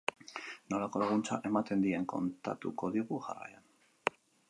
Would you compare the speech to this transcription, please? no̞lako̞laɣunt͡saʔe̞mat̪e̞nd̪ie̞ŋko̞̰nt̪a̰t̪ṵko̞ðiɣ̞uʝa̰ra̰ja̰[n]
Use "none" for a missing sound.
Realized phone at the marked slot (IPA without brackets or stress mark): n